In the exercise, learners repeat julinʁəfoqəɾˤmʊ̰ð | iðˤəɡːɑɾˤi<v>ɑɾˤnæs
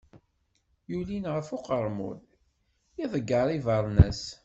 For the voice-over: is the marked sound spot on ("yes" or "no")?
yes